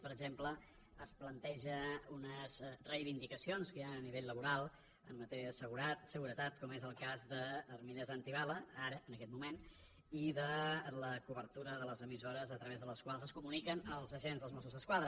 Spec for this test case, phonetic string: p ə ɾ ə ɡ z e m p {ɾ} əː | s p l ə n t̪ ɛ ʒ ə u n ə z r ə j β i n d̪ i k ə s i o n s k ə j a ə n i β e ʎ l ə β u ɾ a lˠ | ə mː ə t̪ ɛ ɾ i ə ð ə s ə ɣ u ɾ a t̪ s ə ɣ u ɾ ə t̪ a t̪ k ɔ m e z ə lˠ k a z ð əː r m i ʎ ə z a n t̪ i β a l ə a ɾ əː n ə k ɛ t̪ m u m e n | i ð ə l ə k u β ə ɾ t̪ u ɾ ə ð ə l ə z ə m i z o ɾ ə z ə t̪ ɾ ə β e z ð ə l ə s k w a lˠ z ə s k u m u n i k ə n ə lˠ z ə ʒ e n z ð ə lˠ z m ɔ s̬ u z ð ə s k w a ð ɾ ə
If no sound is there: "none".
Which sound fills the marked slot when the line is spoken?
l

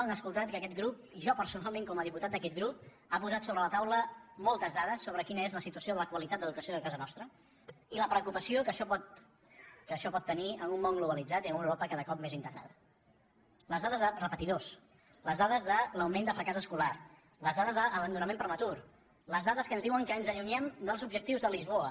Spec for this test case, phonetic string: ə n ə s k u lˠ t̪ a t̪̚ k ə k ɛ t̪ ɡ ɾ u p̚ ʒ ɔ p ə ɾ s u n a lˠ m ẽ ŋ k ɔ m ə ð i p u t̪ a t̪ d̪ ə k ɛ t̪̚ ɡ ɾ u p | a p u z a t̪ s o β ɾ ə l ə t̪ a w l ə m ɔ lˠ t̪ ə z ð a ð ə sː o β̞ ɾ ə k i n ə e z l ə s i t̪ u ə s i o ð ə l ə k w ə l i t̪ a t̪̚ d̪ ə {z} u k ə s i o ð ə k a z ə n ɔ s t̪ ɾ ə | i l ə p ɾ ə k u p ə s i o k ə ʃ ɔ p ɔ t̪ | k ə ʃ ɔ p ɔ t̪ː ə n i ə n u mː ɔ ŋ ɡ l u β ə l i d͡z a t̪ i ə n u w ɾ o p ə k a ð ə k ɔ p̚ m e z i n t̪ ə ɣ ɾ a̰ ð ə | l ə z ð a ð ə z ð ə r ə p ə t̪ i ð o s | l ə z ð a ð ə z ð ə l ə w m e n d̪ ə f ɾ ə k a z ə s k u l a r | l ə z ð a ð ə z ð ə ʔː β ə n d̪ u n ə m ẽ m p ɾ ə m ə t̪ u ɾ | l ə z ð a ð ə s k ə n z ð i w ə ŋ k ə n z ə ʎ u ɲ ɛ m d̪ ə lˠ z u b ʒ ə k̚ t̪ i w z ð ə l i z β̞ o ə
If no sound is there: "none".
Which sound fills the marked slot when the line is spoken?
ð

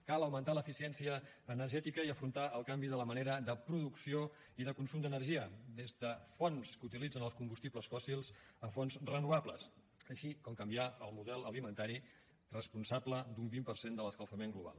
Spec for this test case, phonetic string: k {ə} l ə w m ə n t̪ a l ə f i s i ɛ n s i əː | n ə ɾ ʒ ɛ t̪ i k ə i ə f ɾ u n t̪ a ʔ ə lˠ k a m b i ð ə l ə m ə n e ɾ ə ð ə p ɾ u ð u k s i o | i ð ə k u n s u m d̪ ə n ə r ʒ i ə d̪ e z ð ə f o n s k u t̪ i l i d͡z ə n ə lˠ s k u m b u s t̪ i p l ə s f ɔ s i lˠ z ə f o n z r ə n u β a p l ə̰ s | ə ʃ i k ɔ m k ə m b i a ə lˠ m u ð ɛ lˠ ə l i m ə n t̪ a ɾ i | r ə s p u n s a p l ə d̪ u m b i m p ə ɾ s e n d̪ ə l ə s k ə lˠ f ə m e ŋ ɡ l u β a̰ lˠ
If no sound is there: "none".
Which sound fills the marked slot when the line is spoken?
a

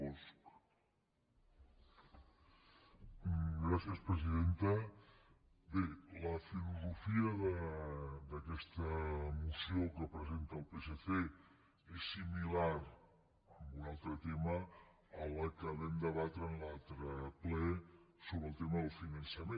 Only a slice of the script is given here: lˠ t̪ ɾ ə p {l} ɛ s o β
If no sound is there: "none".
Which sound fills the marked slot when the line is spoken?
l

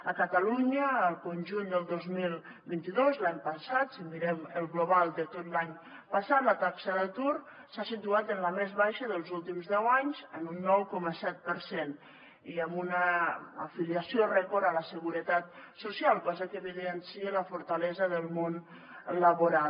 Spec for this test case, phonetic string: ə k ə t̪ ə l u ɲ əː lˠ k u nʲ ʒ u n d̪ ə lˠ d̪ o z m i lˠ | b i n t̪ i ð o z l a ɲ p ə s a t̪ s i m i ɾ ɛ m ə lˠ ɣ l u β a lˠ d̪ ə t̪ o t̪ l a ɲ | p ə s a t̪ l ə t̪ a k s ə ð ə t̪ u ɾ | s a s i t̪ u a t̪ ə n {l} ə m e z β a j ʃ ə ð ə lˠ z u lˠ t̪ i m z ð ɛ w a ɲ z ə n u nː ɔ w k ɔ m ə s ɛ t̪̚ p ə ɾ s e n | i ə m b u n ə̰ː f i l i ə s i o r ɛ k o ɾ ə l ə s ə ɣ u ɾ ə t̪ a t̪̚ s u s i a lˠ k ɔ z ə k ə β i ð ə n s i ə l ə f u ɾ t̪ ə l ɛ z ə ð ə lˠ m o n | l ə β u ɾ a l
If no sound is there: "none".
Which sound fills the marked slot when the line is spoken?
l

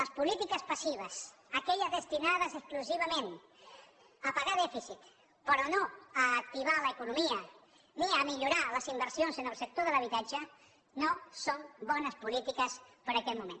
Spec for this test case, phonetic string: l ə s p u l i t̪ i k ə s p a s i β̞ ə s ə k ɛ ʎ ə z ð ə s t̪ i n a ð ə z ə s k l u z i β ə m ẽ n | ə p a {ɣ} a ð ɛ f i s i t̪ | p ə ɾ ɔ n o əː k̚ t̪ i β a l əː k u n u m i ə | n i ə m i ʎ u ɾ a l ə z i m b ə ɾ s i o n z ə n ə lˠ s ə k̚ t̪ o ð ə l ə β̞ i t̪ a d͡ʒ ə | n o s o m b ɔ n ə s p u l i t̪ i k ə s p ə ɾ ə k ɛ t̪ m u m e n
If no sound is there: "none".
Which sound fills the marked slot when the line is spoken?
ɣ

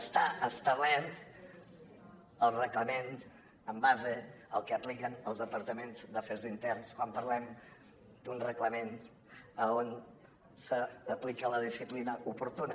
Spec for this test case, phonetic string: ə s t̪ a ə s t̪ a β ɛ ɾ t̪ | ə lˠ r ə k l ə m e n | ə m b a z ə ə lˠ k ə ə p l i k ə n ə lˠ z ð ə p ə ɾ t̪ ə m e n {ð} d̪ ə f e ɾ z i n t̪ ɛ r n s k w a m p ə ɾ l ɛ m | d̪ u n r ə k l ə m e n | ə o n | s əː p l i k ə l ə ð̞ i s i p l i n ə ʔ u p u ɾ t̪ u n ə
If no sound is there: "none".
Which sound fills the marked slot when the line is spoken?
z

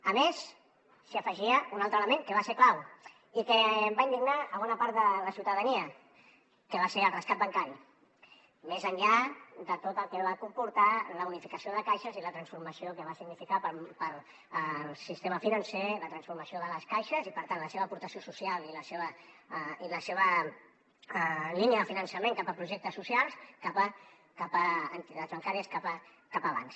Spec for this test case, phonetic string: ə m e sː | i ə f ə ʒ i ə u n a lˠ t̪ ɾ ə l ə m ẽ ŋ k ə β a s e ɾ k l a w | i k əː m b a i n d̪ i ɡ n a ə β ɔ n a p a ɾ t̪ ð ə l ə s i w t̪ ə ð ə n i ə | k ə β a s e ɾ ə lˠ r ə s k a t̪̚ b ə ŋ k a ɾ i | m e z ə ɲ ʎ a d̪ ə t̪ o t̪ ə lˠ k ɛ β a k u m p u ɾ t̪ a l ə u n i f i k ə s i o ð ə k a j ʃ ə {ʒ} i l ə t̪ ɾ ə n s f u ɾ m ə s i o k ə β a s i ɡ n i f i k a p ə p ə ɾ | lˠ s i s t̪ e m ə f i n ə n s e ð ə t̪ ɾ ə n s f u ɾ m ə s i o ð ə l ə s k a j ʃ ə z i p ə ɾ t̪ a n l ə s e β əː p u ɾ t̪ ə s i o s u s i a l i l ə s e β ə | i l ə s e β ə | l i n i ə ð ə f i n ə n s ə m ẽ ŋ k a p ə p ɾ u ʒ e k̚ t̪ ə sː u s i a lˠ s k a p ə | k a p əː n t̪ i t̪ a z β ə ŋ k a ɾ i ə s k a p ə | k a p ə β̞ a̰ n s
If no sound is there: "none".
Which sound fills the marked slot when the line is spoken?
z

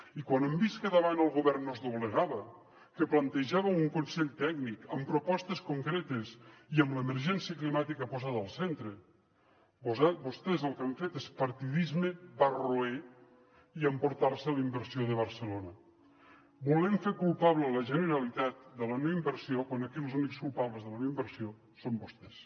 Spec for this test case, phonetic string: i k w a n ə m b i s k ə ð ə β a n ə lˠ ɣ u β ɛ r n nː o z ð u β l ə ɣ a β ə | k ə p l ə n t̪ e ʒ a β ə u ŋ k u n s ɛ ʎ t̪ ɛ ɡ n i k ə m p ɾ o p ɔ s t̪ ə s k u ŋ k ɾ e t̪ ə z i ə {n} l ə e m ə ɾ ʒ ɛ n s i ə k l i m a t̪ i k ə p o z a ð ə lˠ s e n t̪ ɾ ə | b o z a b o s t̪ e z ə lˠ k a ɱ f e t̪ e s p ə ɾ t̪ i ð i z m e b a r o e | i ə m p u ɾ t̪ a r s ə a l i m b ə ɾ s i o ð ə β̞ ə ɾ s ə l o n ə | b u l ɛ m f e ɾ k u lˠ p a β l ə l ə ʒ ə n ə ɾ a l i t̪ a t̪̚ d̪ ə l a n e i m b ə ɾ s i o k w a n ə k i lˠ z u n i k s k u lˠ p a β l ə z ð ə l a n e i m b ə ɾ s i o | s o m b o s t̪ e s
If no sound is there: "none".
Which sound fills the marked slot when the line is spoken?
m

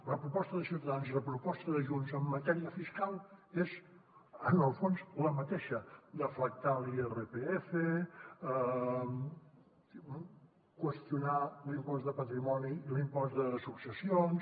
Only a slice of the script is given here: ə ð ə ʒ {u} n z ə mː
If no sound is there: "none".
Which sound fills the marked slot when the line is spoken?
u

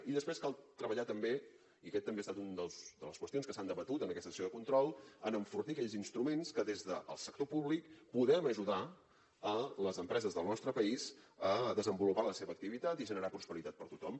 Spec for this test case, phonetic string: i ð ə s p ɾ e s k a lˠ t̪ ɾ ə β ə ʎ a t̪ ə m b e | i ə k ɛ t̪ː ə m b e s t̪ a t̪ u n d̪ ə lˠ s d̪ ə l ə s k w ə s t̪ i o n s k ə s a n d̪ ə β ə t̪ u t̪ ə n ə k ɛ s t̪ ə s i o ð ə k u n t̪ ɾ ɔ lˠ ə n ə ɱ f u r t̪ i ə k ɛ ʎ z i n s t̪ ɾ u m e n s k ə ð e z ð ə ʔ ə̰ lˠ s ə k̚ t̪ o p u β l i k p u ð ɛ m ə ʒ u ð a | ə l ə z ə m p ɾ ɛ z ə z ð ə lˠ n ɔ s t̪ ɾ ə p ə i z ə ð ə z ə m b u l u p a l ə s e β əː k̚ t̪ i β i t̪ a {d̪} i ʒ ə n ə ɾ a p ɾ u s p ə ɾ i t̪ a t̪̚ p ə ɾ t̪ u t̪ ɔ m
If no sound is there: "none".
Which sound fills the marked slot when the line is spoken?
t̪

